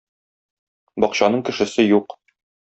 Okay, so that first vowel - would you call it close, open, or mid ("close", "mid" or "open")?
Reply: open